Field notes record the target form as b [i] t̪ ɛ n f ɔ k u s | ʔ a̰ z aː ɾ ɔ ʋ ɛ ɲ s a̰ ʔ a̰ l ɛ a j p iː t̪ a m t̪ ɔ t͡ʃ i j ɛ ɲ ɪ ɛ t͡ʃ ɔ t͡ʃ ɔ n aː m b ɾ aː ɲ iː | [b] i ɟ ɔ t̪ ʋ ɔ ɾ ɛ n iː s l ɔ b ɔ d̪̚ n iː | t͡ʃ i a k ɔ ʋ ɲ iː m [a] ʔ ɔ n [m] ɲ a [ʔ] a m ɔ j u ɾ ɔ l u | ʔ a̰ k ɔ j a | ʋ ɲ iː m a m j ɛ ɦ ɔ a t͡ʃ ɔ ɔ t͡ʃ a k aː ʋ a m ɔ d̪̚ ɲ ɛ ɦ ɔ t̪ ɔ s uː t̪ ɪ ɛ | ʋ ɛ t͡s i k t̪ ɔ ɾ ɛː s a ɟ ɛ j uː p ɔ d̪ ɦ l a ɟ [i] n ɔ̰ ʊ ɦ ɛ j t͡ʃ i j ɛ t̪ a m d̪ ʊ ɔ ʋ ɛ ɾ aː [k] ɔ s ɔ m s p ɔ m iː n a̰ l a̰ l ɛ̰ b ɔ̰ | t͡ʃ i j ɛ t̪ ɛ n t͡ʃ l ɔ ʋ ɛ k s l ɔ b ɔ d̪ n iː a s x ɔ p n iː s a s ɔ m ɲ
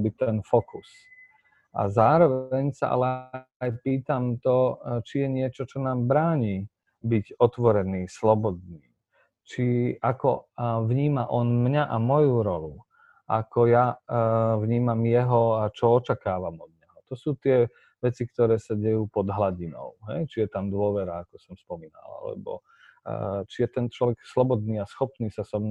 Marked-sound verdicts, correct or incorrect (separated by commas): correct, correct, correct, correct, correct, correct, correct